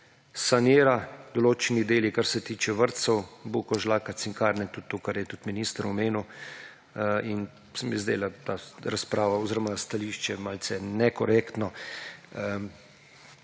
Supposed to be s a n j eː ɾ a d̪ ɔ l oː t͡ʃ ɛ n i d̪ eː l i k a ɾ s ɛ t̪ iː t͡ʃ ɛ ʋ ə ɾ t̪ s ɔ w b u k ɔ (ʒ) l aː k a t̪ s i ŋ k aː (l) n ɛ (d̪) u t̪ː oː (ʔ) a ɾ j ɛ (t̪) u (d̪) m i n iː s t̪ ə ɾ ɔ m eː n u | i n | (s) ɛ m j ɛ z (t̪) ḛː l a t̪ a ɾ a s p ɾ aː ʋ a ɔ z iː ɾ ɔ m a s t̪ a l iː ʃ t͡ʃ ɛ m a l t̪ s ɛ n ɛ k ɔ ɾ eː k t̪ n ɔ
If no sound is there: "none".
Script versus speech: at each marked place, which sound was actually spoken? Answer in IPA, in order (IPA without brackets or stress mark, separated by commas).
ʒ, ɾ, t̪, k, t̪, t̪, s, d̪